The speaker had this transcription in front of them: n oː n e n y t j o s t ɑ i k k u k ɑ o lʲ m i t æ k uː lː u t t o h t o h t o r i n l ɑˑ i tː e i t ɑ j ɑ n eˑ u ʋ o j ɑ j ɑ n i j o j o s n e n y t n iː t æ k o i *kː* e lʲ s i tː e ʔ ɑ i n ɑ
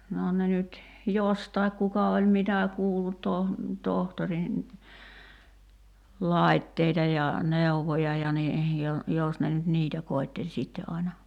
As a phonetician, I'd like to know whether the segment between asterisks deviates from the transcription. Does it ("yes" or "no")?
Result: yes